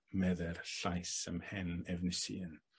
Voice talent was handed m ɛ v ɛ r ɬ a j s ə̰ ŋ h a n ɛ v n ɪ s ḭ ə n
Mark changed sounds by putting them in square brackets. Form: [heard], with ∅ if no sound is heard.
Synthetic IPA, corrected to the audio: m ɛ [ð] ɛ r ɬ a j s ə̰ [m] h [ɛ] n ɛ v n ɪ s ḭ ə n